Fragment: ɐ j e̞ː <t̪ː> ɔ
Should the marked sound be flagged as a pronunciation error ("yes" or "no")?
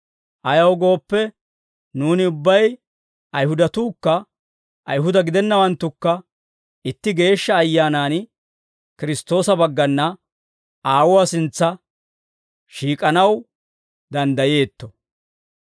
no